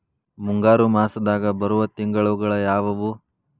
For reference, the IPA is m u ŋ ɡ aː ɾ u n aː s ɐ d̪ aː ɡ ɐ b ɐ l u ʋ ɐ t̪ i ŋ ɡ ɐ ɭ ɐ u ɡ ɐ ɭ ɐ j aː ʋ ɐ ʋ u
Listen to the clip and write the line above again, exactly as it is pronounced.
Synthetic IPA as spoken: m u ŋ ɡ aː ɾ u m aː s ɐ d̪ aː ɡ ɐ b ɐ ɾ u ʋ ɐ t̪ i ŋ ɡ ɐ ɭ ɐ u ɡ ɐ ɭ ɐ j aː ʋ ɐ ʋ u